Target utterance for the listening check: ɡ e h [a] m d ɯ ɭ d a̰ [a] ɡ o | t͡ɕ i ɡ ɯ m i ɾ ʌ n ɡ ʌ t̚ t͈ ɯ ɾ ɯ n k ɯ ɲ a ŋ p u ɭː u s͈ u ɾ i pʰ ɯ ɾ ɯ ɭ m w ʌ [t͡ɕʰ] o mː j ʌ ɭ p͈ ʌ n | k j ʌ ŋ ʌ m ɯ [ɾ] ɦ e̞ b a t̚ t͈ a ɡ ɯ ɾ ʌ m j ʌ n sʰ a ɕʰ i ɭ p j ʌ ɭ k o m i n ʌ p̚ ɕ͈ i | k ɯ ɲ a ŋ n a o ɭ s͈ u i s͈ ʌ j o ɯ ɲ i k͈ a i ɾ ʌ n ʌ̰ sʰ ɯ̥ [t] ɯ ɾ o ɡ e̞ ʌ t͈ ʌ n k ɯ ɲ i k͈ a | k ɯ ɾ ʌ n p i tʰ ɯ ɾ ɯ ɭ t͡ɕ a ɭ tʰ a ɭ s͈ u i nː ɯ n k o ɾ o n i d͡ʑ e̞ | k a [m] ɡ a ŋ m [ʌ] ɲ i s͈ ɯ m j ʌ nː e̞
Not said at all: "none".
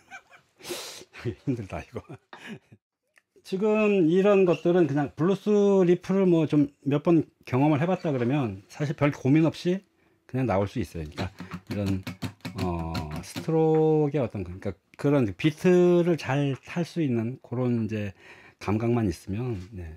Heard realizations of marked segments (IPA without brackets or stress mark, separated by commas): i, i, t͡ɕ, ɭ, tʰ, m, a